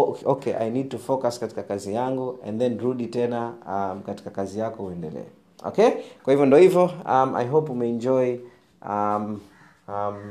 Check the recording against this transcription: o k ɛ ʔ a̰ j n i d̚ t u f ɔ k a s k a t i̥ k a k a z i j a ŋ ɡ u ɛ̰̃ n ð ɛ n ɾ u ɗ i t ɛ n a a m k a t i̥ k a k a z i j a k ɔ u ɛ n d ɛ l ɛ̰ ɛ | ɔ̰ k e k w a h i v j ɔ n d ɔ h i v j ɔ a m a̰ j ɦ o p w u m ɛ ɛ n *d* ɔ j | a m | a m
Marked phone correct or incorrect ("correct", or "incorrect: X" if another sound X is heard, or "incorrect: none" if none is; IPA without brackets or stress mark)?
incorrect: d͡ʒ